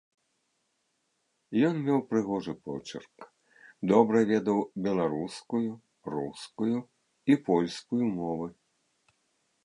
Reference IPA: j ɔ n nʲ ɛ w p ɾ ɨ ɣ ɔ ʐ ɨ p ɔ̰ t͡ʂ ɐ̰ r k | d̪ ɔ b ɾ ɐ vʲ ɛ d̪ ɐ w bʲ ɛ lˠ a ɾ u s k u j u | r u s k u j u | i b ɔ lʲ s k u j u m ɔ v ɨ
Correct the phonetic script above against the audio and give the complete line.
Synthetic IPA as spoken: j ɔ n mʲ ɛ w p ɾ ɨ ɣ ɔ ʐ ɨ p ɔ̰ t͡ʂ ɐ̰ r k | d̪ ɔ b ɾ ɐ vʲ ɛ d̪ ɐ w bʲ ɛ lˠ a ɾ u s k u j u | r u s k u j u | i p ɔ lʲ s k u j u m ɔ v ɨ